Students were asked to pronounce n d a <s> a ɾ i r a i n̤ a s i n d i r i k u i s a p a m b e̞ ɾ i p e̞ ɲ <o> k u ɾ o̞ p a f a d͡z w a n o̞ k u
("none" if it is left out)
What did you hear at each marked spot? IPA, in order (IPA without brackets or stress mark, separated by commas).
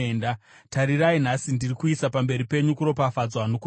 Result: t, u